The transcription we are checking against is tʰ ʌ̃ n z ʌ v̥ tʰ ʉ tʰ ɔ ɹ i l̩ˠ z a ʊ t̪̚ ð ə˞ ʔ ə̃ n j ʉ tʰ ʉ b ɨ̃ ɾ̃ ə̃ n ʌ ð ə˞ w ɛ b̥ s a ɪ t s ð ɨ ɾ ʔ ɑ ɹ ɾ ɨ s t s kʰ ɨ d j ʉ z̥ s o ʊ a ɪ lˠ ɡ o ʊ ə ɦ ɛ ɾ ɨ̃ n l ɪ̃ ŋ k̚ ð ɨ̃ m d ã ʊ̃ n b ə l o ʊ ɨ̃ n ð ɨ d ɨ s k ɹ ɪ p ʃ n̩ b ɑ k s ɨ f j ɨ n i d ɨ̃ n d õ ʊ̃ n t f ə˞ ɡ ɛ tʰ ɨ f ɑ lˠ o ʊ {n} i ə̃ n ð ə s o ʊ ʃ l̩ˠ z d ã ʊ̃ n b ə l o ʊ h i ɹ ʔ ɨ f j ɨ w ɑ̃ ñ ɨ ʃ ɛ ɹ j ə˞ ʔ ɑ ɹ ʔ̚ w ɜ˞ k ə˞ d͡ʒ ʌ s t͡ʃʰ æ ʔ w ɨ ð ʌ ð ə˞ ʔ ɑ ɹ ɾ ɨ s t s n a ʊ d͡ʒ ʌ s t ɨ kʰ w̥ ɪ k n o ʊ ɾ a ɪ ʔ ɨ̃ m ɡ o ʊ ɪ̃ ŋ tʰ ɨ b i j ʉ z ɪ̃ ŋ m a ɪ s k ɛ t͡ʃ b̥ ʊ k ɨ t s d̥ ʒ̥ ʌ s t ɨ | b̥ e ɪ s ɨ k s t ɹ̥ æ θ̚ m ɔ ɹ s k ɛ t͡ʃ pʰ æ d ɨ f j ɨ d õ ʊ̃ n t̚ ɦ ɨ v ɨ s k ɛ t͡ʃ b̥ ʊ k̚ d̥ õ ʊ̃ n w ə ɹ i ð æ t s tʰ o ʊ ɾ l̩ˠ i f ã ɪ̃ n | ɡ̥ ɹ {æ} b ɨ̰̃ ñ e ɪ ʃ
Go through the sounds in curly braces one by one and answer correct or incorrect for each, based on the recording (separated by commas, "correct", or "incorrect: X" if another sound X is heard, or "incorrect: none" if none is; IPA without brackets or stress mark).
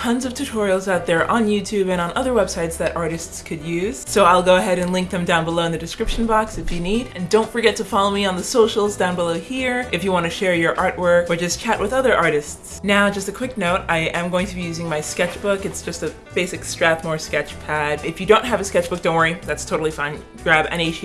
incorrect: m, correct